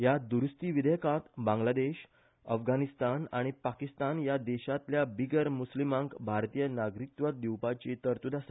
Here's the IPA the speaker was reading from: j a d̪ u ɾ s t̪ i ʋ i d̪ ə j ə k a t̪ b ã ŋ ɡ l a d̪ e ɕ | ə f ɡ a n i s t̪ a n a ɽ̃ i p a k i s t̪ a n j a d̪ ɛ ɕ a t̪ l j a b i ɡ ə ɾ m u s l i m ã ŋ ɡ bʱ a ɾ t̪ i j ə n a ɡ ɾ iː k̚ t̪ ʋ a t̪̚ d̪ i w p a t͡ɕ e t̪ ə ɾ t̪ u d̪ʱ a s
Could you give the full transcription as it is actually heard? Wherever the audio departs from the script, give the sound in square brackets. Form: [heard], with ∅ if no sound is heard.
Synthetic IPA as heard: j a d̪ u ɾ s t̪ i ʋ i d̪ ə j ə k a t̪ b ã ŋ ɡ l a d̪ e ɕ | ə f ɡ a n i s t̪ a n a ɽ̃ i p a k i s t̪ a n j a d̪ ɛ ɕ a t̪ l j a b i ɡ ə ɾ m u s l i m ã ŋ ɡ bʱ a ɾ t̪ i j ə n a ɡ ɾ [i] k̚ t̪ ʋ a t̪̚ d̪ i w p a t͡ɕ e t̪ ə ɾ t̪ u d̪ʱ a s